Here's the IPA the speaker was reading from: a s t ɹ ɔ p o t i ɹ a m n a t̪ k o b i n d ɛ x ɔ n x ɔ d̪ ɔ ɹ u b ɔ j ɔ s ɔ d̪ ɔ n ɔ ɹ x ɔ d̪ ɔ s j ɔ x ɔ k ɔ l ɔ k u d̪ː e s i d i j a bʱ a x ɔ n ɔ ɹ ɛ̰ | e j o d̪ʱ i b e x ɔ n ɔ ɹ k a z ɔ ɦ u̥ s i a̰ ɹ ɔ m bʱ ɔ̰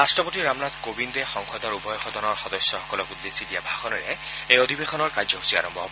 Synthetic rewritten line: a s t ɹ ɔ p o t i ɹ a m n a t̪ k o b i n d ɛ x ɔ ŋ x ɔ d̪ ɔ ɹ u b ɔ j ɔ x ɔ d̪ ɔ n ɔ ɹ x ɔ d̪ ɔ s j ɔ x ɔ k ɔ l ɔ k u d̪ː e s i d i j a bʱ a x ɔ n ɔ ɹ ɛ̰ | e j o d̪ʱ i b e x ɔ n ɔ ɹ k a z ɔ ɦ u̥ s i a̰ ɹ ɔ m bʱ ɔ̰